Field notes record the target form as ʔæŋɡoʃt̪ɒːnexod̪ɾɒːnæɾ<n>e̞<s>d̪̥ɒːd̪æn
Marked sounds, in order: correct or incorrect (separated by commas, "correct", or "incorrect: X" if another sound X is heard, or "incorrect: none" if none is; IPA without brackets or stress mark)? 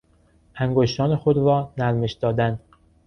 incorrect: m, incorrect: ʃ